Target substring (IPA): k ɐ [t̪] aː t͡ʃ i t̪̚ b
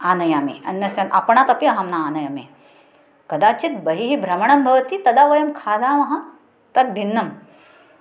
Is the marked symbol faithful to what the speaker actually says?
no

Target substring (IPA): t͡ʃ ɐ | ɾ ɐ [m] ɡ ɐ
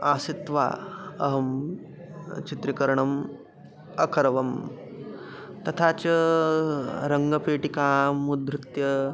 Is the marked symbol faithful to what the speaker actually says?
no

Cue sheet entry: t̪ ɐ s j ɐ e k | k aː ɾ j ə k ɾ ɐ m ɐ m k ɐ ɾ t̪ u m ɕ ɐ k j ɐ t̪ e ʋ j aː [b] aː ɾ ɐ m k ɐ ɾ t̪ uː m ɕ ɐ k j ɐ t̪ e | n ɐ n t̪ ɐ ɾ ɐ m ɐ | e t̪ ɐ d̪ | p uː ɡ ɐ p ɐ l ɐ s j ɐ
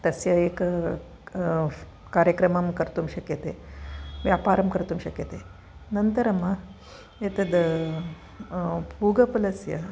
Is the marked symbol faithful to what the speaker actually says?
no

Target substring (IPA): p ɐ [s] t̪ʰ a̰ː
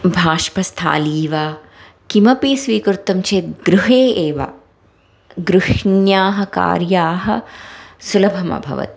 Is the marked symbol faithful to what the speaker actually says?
yes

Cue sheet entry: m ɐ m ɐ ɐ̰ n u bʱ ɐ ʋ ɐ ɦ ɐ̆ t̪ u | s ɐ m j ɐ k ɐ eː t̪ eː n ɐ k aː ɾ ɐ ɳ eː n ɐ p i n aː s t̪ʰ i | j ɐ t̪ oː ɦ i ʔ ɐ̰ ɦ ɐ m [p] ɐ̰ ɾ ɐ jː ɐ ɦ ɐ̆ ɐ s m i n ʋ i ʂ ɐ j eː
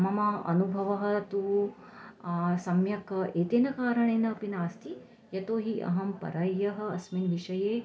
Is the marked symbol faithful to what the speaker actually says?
yes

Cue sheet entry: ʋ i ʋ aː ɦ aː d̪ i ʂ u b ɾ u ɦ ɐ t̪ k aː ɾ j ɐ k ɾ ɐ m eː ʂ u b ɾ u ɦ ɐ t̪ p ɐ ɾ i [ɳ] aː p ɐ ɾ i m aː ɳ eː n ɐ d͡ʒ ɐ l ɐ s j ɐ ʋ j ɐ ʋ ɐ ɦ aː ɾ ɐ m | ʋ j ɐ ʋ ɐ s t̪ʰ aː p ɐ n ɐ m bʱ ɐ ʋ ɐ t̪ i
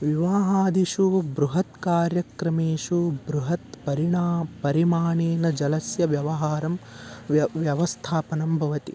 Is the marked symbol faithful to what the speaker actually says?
yes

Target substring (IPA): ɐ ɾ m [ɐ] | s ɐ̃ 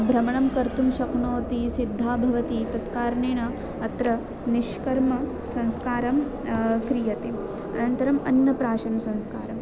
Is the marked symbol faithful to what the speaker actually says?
yes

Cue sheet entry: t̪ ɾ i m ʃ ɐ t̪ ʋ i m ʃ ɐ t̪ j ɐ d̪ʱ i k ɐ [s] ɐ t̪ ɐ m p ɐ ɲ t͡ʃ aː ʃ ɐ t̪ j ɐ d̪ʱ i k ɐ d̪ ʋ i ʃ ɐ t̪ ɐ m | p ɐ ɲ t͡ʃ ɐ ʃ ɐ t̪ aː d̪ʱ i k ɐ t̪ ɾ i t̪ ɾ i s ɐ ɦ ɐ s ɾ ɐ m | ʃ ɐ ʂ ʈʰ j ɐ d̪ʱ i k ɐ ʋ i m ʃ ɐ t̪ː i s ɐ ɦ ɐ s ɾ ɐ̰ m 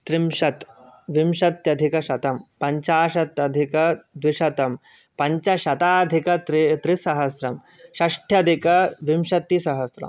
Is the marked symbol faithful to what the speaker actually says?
no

